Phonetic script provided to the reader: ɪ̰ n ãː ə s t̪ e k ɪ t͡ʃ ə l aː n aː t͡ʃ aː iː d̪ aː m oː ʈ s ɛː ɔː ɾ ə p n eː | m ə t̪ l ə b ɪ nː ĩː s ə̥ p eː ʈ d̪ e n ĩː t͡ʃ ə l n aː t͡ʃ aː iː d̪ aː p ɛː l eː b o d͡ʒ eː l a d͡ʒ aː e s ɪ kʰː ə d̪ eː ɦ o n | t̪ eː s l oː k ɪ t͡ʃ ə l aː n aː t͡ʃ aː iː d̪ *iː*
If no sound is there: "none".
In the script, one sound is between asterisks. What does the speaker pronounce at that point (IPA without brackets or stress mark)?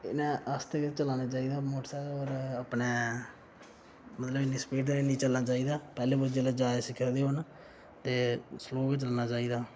aː